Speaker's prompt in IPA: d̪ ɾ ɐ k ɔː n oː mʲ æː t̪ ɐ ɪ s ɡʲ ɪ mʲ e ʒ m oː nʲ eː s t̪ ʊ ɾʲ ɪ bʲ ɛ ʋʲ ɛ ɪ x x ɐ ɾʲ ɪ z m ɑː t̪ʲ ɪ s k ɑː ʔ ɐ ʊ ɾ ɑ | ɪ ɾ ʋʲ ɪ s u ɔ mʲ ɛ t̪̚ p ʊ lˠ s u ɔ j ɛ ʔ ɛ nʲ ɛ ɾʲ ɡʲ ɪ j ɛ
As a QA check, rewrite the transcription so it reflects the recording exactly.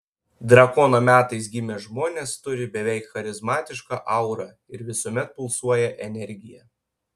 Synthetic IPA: d̪ ɾ ɐ k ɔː n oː mʲ æː t̪ ɐ ɪ s ɡʲ ɪ mʲ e ʒ m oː nʲ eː s t̪ ʊ ɾʲ ɪ bʲ ɛ ʋʲ ɛ ɪ k x ɐ ɾʲ ɪ z m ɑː t̪ʲ ɪ ʃ k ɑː ʔ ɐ ʊ ɾ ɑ | ɪ ɾ ʋʲ ɪ s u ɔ mʲ ɛ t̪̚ p ʊ lˠ s u ɔ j ɛ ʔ ɛ nʲ ɛ ɾʲ ɡʲ ɪ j ɛ